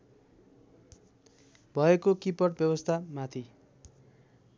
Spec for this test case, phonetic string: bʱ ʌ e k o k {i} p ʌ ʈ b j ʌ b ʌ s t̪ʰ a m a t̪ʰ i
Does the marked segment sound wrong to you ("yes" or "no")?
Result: no